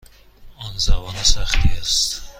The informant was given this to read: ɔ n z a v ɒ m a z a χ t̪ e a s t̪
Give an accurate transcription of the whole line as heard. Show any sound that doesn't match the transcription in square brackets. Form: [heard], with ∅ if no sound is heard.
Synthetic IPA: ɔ n z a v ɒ [n] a [s] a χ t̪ [i] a s t̪